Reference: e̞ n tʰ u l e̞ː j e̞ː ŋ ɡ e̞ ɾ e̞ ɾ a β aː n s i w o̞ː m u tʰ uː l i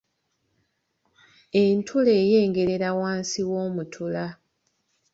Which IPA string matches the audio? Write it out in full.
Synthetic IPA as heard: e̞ n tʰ u l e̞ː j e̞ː ŋ ɡ e̞ ɾ e̞ ɾ a w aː n s i w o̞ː m u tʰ u l a